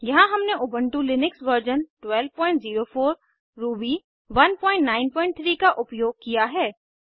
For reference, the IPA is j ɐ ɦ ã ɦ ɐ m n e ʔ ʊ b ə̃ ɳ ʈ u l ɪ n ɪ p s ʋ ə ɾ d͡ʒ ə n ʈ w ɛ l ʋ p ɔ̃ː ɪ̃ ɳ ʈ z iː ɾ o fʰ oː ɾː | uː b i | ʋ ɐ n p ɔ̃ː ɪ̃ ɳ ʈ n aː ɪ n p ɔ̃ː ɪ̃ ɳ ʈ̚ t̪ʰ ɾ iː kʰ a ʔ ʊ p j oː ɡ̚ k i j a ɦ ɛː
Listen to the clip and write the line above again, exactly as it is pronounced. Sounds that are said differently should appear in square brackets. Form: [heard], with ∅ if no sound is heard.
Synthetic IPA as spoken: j ɐ ɦ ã ɦ ɐ m n e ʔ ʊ b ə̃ ɳ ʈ u l ɪ n ɪ [k] s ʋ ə ɾ d͡ʒ ə n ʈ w ɛ l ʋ p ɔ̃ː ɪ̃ ɳ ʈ z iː ɾ o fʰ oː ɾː | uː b i | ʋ ɐ n p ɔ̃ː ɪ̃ ɳ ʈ n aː ɪ n p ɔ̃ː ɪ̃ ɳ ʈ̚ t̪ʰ ɾ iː [k] a ʔ ʊ p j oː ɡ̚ k i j a ɦ ɛː